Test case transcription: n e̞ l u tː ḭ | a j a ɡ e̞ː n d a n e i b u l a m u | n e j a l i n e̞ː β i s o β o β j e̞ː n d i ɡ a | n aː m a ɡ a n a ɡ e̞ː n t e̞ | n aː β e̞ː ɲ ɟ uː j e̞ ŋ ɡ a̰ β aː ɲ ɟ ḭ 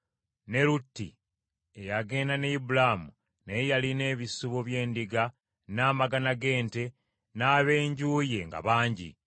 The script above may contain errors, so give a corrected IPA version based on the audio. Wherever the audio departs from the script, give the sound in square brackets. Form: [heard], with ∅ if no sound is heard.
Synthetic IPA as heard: n e̞ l u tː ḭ | [e] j a ɡ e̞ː n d a n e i b u l a m u | n e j a l i n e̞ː β i s [u] β o β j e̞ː n d i ɡ a | n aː m a ɡ a n a ɡ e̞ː n t e̞ | n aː β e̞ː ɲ ɟ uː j e̞ ŋ ɡ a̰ β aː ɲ ɟ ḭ